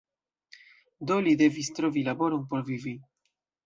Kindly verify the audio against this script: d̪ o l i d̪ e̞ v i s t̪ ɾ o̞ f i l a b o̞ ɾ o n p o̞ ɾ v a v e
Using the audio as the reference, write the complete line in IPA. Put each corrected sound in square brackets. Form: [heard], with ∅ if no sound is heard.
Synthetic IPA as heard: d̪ o l i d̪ e̞ v i s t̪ ɾ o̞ [v] i l a b o̞ ɾ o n p o̞ ɾ v [i] v [i]